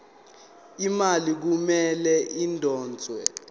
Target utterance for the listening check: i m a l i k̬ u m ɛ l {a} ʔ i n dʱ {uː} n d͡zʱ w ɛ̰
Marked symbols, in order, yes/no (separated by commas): no, no